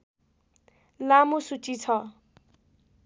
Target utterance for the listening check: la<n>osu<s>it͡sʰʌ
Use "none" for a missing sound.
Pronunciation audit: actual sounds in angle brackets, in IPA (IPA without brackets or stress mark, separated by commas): m, t͡s